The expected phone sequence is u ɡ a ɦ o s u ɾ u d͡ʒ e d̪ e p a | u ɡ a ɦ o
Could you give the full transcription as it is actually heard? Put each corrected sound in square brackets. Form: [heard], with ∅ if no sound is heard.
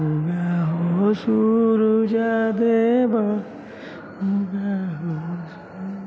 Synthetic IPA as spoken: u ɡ a ɦ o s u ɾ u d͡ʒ [a] d̪ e [b] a | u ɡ a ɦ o